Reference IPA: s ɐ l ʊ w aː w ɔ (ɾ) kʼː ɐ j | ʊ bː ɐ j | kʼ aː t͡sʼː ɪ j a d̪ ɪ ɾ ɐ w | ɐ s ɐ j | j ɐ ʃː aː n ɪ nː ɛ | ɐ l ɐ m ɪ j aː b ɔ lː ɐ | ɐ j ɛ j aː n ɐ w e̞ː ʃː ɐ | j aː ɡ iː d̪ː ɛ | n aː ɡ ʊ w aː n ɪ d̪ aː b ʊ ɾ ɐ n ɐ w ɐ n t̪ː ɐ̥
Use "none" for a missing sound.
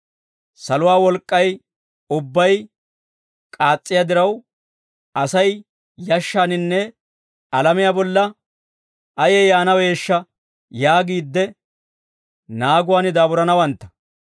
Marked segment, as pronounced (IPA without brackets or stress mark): l